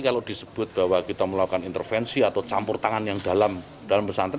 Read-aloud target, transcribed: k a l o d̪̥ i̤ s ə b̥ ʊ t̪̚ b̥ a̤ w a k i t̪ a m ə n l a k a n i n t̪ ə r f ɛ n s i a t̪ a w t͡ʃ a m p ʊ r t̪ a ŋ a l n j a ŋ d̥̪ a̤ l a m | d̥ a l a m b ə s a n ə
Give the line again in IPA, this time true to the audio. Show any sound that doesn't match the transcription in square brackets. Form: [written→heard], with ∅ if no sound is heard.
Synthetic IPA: k a l o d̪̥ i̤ s ə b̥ ʊ t̪̚ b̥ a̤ w a k i t̪ a m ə [n→∅] l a k a n i n t̪ ə r f ɛ n s i a t̪ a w t͡ʃ a m p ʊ r t̪ a ŋ a [l→∅] n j a ŋ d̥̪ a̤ l a m | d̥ a l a m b ə s a n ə